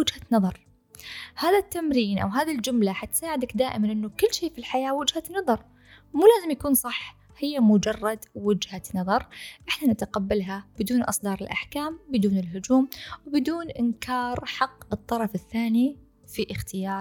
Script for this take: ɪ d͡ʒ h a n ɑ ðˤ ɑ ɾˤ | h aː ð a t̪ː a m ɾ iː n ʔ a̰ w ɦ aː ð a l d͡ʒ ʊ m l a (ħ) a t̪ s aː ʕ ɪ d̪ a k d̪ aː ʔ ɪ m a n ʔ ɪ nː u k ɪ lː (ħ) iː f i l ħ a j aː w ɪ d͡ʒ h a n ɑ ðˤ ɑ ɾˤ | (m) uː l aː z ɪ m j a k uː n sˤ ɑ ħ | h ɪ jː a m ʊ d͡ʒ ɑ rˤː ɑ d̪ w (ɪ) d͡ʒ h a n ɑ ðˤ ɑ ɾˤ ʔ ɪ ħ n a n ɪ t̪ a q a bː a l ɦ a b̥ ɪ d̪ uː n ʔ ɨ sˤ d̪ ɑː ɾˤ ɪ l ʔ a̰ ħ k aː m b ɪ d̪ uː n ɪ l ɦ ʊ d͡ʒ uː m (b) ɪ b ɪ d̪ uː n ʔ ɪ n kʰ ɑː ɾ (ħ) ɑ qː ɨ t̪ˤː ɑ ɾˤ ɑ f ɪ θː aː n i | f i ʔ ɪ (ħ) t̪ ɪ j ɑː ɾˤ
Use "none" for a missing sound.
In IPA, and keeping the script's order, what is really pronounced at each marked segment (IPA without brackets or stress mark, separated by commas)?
ħ, ʃ, m, ɪ, w, ħ, x